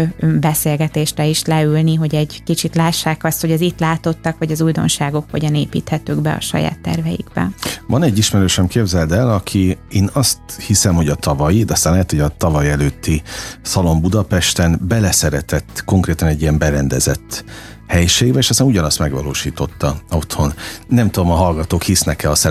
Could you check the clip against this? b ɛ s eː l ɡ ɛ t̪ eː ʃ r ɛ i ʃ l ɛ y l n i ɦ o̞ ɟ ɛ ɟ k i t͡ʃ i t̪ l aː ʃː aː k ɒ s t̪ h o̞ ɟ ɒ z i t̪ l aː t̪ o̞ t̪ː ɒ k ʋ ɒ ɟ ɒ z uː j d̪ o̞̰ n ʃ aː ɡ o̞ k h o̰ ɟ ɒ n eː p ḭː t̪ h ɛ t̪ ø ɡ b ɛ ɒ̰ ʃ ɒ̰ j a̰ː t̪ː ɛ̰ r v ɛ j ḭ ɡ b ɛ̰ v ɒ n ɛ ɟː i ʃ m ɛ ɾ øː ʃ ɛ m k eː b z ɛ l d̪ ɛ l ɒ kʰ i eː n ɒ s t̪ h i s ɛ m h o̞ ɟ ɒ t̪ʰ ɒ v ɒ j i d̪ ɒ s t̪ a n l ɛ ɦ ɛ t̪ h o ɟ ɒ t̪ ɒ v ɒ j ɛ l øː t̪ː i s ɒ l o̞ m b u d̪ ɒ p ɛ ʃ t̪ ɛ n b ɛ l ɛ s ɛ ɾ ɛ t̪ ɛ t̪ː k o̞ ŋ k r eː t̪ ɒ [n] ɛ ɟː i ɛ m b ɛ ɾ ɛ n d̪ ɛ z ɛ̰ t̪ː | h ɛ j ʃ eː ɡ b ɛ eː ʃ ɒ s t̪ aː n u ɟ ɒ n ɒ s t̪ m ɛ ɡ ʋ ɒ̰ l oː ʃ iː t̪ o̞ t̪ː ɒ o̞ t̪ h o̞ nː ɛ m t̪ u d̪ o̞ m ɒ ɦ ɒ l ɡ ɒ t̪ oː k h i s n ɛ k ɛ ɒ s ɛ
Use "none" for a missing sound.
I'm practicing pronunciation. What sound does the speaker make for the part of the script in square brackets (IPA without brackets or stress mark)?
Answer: n